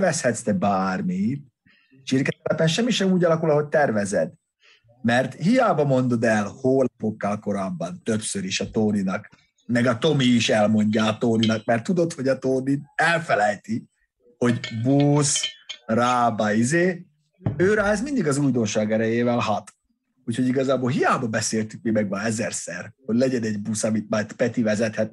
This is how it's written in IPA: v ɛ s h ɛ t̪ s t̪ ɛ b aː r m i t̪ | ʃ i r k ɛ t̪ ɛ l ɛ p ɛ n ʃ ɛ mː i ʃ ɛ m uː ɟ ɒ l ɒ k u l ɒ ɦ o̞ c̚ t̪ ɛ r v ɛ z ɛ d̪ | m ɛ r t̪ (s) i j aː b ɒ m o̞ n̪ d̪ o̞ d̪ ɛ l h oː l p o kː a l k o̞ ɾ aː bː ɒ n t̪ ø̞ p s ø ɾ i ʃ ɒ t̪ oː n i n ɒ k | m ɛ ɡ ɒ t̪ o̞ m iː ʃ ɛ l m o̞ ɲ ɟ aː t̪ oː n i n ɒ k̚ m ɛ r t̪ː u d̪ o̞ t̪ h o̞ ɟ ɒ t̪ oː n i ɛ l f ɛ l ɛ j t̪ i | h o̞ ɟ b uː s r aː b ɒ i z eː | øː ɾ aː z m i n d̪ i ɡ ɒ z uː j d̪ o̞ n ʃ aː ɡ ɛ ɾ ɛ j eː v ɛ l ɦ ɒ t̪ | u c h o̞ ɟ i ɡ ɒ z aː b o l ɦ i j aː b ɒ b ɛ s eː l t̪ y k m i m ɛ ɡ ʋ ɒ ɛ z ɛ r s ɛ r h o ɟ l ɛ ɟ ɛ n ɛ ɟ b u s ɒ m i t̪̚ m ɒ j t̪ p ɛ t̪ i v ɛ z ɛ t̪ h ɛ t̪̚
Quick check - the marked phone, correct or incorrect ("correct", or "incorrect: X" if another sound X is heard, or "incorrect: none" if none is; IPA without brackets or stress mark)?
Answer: incorrect: h